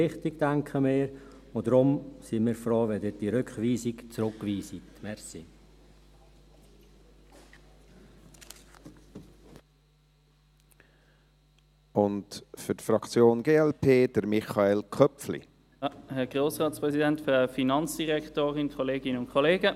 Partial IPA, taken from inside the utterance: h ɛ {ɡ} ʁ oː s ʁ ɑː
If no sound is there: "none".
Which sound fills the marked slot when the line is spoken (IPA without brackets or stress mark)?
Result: ɡ